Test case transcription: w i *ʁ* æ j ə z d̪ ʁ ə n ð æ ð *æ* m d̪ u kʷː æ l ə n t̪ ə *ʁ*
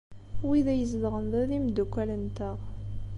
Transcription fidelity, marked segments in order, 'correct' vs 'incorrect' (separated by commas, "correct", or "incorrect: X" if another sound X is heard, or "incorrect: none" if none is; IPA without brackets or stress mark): incorrect: ð, incorrect: i, correct